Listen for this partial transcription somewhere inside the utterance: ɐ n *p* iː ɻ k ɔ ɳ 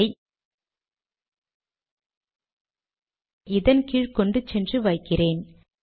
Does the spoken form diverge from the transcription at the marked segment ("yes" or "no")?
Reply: yes